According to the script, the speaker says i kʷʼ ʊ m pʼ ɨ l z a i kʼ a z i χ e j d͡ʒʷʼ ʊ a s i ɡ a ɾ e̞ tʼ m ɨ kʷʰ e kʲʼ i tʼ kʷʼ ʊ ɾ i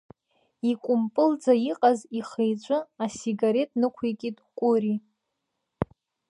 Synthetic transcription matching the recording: i kʷʼ ʊ m pʼ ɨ l d͡z a i qʼ a z i χ e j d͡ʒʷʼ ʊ a s i ɡ a ɾ e̞ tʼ n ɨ kʷʰ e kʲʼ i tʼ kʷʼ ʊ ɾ i